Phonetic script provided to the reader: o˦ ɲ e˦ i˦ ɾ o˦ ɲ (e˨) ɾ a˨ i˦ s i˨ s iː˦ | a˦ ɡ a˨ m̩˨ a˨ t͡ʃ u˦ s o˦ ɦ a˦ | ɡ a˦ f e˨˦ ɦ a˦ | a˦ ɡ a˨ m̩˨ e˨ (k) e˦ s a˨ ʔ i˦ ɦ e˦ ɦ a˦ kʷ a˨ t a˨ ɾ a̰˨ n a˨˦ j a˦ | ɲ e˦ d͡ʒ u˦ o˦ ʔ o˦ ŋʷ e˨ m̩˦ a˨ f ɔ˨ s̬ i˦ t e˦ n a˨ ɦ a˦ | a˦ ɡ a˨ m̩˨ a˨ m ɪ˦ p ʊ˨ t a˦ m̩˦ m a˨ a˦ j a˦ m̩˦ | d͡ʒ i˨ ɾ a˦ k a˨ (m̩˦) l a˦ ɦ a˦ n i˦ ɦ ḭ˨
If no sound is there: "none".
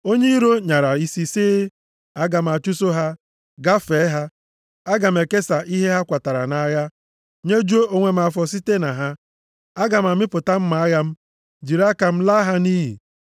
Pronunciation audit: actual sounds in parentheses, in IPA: a˨, k, m̩˦

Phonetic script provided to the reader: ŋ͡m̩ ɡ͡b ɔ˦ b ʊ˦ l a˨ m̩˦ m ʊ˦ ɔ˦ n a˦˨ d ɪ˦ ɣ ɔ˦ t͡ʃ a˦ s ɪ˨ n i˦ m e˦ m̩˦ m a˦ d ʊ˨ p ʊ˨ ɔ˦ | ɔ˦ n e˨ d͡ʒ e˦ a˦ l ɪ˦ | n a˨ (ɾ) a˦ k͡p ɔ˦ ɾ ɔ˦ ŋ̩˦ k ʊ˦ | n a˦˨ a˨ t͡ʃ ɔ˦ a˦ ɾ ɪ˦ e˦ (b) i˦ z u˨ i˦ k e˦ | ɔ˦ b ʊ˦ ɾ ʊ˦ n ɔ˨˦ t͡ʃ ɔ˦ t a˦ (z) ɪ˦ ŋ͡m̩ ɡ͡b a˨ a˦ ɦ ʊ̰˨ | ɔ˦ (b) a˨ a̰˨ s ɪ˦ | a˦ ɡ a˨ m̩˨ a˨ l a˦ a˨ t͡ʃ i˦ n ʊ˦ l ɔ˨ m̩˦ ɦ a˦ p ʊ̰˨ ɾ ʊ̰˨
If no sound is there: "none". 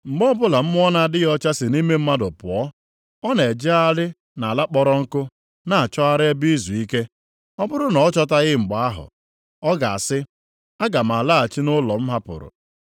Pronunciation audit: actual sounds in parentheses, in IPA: l, b, ɣ, ɡ

